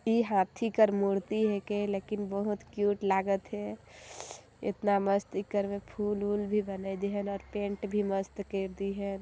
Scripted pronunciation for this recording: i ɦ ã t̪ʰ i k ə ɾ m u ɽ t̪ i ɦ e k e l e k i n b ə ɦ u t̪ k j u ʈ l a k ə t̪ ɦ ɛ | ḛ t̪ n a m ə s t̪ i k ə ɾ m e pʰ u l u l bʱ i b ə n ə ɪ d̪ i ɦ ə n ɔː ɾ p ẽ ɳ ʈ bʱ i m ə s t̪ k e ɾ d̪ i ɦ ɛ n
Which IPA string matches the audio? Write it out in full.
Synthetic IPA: i ɦ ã t̪ʰ i k ə ɾ m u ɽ t̪ i ɦ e k e l e k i n b ə ɦ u t̪ k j u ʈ l a ɡ ə t̪ ɦ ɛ | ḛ t̪ n a m ə s t̪ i k ə ɾ m e pʰ u l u l bʱ i b ə n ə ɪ d̪ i ɦ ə n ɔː ɾ p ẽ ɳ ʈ bʱ i m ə s t̪ k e ɾ d̪ i ɦ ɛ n